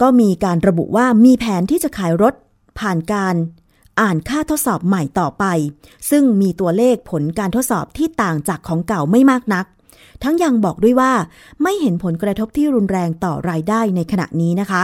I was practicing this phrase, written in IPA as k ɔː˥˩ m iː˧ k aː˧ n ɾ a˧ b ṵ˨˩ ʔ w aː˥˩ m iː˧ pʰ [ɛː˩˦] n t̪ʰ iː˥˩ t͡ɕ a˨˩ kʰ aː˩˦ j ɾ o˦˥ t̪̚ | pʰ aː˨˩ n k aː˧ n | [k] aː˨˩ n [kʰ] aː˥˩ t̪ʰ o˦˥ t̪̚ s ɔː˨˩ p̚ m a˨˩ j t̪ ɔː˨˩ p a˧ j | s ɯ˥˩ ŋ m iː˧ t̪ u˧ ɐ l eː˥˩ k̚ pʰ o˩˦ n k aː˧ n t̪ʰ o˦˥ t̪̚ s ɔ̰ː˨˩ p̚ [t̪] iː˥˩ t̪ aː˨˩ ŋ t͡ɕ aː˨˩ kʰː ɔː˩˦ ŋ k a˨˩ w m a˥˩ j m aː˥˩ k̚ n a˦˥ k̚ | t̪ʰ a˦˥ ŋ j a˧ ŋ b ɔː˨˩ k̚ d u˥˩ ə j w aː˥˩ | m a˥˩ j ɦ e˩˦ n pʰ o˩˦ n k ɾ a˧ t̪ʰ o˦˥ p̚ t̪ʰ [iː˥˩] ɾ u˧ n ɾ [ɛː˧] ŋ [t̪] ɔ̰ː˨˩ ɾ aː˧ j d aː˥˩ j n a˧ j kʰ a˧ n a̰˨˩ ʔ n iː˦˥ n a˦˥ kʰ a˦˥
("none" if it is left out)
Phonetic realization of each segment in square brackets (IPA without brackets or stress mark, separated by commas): ɛː˩˦, ʔ, kʰ, t̪ʰ, iː˥˩, ɛː˧, t̪